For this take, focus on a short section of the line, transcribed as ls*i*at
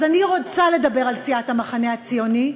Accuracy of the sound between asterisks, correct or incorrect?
correct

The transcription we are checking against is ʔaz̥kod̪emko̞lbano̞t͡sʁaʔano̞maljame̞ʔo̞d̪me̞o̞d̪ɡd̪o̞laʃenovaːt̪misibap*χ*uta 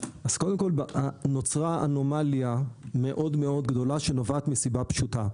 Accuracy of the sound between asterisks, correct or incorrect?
incorrect: ʃ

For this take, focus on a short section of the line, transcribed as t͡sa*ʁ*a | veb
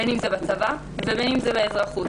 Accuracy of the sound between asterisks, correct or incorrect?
incorrect: v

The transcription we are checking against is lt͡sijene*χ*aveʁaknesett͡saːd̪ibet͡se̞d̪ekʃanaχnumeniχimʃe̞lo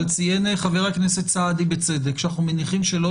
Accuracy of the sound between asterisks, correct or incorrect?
correct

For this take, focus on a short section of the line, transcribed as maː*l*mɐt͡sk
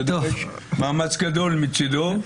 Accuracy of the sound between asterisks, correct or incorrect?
incorrect: none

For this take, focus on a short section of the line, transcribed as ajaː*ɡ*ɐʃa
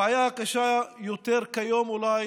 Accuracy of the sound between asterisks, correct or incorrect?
incorrect: k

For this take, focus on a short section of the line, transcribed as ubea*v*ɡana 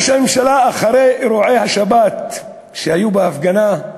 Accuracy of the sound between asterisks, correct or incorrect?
incorrect: f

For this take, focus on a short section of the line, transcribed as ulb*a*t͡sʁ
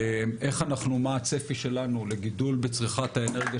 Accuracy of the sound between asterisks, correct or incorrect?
incorrect: e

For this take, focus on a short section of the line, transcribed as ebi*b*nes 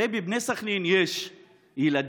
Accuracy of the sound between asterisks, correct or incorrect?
correct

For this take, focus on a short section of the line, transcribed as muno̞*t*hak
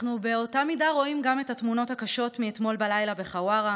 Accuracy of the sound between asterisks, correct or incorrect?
correct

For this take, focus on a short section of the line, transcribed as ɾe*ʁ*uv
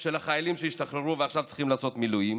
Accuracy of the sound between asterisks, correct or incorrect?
correct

